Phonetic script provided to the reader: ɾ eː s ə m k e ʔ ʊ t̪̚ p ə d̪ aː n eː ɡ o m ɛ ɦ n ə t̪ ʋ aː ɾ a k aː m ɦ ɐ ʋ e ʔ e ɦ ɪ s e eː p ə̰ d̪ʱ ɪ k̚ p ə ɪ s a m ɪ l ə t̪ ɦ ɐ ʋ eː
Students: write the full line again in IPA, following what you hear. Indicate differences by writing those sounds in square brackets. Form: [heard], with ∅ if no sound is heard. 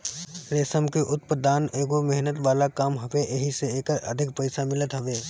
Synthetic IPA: ɾ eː s ə m k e ʔ ʊ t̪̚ p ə d̪ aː n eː ɡ o m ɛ ɦ n ə t̪ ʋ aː [l] a k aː m ɦ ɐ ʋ e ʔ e ɦ [i] s e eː [k] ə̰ d̪ʱ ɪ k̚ p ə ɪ s a m ɪ l ə t̪ ɦ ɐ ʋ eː